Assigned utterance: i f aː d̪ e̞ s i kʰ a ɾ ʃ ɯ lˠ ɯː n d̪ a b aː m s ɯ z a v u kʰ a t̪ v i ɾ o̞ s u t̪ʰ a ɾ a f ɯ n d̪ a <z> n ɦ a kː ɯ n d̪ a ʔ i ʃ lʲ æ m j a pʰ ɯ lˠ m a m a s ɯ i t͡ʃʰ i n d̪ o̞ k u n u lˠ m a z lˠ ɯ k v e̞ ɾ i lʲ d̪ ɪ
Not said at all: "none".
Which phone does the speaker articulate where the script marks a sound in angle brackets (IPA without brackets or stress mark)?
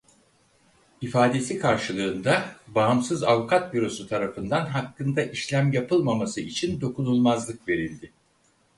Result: none